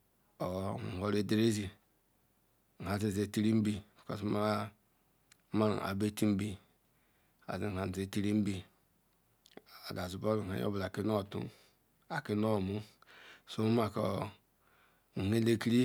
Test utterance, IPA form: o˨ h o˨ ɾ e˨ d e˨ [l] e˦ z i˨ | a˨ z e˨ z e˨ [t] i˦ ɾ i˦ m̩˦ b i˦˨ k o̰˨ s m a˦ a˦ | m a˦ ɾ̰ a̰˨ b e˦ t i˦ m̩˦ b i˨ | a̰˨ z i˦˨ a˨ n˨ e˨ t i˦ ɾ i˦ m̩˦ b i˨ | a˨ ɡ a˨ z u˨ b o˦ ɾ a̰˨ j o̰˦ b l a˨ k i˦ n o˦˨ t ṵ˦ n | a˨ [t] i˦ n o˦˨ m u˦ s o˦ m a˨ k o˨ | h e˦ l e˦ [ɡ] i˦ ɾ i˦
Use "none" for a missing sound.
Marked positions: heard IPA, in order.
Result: ɾ, t, k, k

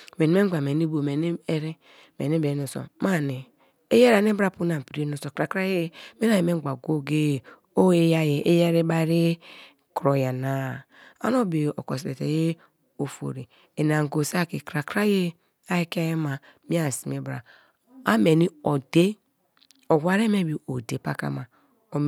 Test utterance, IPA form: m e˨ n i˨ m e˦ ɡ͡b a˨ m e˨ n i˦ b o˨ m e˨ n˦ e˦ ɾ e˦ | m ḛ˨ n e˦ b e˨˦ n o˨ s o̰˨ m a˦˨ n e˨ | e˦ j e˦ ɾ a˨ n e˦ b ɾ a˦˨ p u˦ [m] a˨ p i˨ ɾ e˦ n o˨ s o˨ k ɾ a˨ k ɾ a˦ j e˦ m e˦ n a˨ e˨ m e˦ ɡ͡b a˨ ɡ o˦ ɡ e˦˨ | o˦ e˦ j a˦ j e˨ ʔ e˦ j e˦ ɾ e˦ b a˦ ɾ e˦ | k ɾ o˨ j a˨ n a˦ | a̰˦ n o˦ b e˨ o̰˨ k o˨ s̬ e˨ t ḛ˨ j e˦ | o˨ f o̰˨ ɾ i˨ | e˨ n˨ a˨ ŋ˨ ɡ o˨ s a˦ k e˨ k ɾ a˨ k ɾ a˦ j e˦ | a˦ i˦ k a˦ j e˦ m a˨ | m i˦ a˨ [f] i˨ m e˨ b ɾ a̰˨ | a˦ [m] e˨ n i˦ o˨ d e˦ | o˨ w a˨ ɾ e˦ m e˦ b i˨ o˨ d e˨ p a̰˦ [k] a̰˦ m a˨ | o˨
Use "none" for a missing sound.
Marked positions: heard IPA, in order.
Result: n, s, m, k

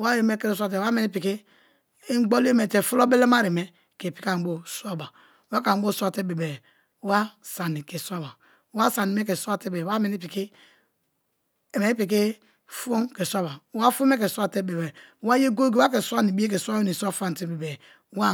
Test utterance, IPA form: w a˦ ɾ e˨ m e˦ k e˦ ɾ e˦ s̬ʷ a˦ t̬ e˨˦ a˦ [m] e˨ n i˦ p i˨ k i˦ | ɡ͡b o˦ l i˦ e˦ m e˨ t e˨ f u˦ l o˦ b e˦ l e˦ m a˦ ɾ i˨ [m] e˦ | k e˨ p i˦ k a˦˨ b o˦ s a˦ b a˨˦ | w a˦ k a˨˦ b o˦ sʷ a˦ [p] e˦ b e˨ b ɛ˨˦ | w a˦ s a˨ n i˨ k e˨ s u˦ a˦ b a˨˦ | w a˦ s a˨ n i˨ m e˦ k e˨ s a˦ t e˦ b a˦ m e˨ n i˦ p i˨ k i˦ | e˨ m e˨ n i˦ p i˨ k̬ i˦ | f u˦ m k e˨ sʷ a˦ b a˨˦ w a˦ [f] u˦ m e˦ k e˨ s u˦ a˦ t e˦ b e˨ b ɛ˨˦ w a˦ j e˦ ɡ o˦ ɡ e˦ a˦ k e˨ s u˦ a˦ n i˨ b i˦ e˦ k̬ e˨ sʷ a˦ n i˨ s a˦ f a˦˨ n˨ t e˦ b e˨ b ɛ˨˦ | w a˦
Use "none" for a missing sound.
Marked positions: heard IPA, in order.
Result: m, m, t, f

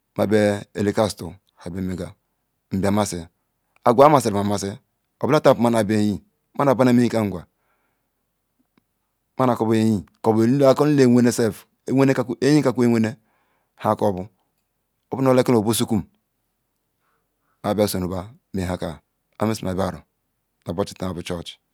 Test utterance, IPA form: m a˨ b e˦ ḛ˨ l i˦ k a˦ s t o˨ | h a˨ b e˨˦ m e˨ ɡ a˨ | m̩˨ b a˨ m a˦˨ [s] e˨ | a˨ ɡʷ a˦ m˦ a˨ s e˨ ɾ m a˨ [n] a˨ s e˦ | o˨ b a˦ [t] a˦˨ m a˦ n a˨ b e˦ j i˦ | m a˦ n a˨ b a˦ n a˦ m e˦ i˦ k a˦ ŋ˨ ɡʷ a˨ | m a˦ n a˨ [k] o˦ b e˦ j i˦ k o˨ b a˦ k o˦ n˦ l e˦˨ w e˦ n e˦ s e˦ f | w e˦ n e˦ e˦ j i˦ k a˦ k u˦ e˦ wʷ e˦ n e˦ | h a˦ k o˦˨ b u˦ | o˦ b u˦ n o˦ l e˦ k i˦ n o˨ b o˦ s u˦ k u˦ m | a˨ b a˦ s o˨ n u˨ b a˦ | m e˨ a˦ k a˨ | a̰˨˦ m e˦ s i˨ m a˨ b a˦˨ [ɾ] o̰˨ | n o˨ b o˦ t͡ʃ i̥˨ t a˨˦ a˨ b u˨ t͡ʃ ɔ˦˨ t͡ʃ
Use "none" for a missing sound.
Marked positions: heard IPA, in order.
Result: s, m, t, k, ɾ

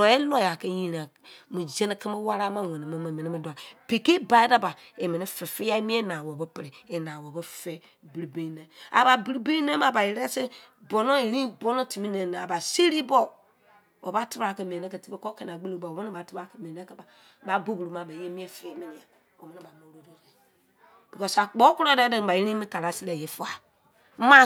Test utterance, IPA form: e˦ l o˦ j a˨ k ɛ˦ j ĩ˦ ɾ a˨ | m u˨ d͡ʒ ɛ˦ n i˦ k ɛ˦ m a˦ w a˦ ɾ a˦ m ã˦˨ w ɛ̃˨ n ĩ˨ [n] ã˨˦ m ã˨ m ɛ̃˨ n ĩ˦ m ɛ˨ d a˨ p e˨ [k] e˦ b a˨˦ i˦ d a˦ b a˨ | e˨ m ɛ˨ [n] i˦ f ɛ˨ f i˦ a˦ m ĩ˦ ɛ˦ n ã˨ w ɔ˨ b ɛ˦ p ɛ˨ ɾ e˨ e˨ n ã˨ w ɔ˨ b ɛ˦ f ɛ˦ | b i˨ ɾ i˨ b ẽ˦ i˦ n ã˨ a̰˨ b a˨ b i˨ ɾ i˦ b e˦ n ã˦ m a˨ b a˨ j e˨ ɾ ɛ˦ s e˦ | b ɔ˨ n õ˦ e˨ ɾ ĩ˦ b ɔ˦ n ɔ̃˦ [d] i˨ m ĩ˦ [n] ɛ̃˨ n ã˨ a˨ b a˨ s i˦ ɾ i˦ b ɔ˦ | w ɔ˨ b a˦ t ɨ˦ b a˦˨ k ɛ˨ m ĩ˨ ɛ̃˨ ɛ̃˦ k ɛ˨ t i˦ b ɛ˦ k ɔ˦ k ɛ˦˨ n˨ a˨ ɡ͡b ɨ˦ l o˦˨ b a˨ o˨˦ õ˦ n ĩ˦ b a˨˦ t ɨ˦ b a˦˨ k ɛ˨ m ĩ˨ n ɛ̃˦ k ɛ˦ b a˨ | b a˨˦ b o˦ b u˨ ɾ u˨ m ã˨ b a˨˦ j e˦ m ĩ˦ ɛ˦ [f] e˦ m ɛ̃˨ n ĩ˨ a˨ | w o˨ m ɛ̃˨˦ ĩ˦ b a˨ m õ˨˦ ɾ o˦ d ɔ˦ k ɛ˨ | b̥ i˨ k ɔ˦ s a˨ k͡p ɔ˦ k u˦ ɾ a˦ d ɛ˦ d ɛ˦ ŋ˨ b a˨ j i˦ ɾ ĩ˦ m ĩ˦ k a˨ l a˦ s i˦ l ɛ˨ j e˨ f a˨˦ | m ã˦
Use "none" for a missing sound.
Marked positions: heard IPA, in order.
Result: m, k, n, t, n, f

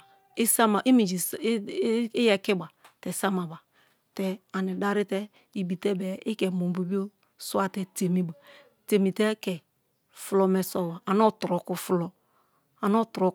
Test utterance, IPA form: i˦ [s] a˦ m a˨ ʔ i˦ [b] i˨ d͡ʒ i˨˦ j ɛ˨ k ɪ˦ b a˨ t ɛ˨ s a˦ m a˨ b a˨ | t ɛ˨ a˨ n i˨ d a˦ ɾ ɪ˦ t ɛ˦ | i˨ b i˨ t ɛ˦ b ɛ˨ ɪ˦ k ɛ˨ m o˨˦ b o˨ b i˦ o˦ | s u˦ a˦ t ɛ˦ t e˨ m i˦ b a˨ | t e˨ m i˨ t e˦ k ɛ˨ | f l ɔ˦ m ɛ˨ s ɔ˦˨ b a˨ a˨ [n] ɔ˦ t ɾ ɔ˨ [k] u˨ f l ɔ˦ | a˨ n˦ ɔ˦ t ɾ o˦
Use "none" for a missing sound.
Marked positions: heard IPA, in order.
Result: s, m, n, k

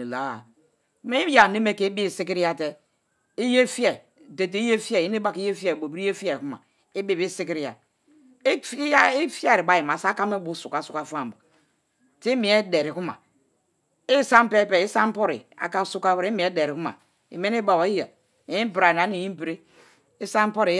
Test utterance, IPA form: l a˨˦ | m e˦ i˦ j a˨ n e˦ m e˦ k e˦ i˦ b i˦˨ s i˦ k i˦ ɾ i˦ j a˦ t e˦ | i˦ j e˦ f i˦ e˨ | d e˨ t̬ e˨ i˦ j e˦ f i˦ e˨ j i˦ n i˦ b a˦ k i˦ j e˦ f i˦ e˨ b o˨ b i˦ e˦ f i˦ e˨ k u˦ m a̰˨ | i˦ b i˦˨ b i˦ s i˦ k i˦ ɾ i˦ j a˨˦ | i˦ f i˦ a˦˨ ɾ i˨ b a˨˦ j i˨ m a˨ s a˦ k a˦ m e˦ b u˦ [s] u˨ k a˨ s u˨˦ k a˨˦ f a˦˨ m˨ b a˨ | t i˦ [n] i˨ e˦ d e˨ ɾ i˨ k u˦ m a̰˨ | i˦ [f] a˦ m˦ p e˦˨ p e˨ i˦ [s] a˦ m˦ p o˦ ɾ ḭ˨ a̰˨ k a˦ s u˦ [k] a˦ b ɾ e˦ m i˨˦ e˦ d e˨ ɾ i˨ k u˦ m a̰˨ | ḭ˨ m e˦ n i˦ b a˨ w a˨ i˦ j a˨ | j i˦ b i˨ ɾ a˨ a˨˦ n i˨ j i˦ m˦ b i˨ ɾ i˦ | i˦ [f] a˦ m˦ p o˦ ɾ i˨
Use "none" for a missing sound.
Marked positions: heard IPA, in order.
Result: s, m, s, s, k, s

